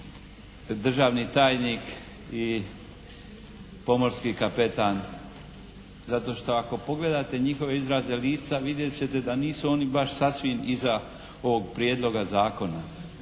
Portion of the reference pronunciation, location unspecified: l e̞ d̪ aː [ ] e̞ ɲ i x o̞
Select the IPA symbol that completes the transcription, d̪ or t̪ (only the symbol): t̪